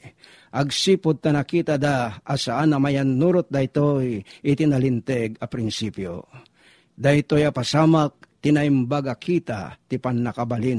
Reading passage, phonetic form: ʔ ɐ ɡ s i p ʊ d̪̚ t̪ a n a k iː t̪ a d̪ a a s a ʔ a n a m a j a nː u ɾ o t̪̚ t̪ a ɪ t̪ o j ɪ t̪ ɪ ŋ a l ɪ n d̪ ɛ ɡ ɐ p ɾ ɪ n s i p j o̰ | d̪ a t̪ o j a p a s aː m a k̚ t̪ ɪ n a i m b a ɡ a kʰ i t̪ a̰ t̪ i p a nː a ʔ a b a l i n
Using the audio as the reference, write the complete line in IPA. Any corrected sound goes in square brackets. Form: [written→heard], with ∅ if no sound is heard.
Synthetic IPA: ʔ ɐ ɡ s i p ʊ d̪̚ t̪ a n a k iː t̪ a d̪ a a s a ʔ a n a m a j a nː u ɾ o t̪̚ [t̪→d̪] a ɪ t̪ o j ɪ t̪ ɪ [ŋ→n] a l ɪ n [d̪→t̪] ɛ ɡ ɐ p ɾ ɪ n s i p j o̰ | d̪ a t̪ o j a p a s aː m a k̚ t̪ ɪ n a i m b a ɡ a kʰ i t̪ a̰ t̪ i p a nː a [ʔ→k] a b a l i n